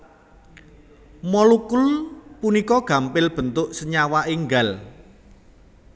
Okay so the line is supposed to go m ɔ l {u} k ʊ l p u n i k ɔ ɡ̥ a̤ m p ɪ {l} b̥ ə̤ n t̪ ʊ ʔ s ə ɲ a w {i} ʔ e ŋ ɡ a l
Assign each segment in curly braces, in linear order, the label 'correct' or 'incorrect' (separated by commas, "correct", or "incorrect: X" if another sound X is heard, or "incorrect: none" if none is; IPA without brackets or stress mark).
correct, correct, incorrect: a